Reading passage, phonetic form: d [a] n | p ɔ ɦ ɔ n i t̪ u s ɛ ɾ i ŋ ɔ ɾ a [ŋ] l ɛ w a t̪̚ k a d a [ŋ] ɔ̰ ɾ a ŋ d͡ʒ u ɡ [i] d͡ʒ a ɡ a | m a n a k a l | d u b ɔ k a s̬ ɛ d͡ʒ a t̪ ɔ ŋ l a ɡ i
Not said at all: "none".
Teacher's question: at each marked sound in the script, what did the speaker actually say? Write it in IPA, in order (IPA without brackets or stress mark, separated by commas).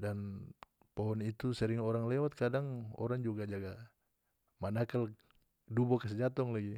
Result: a, ŋ, ŋ, a